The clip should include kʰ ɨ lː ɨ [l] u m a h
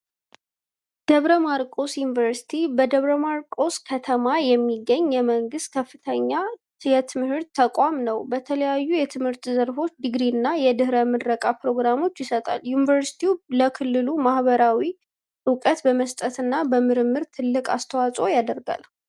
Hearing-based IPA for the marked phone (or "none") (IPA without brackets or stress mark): l